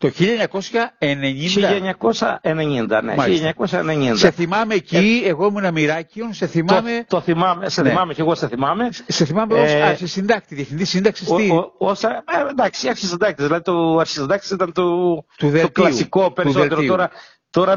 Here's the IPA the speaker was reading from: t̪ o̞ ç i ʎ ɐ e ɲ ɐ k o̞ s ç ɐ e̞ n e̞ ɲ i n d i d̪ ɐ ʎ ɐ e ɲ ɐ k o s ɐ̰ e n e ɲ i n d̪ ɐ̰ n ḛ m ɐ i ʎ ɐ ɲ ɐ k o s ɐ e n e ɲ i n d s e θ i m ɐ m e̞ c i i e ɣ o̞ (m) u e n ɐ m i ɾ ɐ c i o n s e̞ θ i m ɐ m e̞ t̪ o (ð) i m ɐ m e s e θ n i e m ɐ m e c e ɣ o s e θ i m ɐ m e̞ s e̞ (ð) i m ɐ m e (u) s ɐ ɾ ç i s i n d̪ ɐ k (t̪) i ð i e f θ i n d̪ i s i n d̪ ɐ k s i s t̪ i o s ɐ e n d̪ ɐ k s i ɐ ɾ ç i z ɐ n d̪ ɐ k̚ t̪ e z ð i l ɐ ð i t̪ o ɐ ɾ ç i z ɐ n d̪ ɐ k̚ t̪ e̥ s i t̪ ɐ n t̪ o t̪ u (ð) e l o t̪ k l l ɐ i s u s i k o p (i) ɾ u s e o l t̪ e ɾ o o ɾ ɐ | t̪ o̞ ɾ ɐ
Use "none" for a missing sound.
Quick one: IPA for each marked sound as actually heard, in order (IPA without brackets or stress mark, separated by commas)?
m, θ, θ, o, t̪, ð, e